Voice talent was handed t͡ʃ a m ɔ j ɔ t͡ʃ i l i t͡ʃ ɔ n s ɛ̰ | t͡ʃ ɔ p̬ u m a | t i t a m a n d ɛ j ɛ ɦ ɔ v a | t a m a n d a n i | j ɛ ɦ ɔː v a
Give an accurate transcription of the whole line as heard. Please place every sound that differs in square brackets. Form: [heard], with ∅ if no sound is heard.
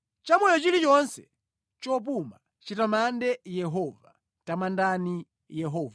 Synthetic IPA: t͡ʃ a m ɔ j ɔ t͡ʃ i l i t͡ʃ ɔ n s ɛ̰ | t͡ʃ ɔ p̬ u m a | [t͡ʃ] i t a m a n d ɛ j ɛ ɦ ɔ v a | t a m a n d a n i | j ɛ ɦ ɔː v a